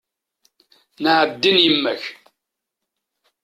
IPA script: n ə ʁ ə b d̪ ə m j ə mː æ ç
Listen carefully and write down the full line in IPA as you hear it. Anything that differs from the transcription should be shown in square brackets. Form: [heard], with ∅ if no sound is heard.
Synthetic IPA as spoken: n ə [ʕ] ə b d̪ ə [n] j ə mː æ ç